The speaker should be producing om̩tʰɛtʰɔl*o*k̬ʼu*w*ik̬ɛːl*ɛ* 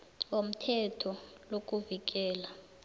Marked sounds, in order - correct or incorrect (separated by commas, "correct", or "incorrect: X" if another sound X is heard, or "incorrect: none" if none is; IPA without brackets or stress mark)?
correct, incorrect: v, incorrect: a